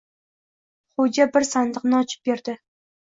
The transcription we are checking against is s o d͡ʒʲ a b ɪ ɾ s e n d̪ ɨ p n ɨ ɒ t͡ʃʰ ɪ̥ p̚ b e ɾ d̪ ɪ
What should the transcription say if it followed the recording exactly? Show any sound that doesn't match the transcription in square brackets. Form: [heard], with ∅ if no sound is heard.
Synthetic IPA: [χ] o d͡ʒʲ a b ɪ ɾ s [a] n d̪ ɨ [q] n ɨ ɒ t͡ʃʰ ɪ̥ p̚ b e ɾ d̪ ɪ